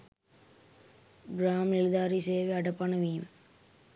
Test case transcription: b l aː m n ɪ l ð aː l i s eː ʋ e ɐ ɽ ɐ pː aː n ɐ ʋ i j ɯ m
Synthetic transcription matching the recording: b ɾ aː m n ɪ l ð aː ɾ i s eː ʋ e ɐ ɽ ɐ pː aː n ɐ ʋ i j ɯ m